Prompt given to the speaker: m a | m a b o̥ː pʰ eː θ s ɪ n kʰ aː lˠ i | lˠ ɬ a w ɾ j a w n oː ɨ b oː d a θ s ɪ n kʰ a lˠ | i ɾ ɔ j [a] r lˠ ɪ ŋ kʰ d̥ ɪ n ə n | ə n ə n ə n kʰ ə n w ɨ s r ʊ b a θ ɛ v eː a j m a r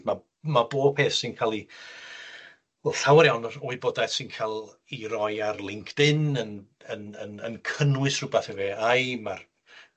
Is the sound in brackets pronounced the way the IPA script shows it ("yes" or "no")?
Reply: yes